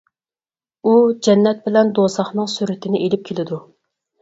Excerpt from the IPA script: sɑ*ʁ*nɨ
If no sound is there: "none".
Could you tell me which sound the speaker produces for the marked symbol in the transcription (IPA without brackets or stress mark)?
χ